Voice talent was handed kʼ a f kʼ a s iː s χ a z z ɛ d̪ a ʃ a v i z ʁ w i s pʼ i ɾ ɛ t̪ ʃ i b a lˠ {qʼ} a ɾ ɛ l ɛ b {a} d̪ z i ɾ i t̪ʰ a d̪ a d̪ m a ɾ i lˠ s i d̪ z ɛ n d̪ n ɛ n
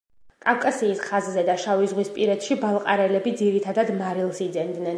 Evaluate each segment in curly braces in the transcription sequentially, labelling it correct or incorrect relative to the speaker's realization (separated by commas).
correct, incorrect